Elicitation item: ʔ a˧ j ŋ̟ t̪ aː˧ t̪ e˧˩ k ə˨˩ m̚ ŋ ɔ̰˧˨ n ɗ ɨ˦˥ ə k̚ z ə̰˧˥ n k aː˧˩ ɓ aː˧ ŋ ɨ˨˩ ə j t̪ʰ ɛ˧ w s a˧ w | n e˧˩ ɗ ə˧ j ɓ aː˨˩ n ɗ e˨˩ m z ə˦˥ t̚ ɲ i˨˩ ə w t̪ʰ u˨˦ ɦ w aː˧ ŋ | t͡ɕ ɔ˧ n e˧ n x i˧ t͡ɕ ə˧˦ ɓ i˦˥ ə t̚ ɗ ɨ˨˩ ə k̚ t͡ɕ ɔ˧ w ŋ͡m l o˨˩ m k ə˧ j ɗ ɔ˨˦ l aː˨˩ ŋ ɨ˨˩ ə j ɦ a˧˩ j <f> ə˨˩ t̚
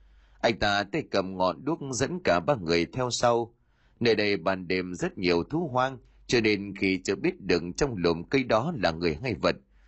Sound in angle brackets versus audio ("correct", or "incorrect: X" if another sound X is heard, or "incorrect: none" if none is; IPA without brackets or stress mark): incorrect: v